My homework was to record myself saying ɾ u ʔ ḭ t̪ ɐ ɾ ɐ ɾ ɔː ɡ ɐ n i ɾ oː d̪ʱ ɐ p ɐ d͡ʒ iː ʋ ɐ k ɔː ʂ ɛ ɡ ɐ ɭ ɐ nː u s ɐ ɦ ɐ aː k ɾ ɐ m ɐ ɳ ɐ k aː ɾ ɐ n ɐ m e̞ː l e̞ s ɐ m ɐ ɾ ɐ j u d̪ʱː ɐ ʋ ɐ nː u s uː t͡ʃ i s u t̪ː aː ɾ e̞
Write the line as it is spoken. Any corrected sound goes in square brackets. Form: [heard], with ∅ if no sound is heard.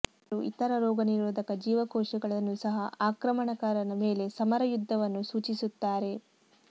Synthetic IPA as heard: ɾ u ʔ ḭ t̪ ɐ ɾ ɐ ɾ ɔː ɡ ɐ n i ɾ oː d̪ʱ ɐ [k] ɐ d͡ʒ iː ʋ ɐ k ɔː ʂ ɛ ɡ ɐ ɭ ɐ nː u s ɐ ɦ ɐ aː k ɾ ɐ m ɐ ɳ ɐ k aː ɾ ɐ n ɐ m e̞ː l e̞ s ɐ m ɐ ɾ ɐ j u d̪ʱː ɐ ʋ ɐ nː u s uː t͡ʃ i s u t̪ː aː ɾ e̞